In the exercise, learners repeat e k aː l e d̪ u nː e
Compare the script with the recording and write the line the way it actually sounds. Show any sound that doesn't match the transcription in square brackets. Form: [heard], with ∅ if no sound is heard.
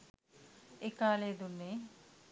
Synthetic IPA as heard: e k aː l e d̪ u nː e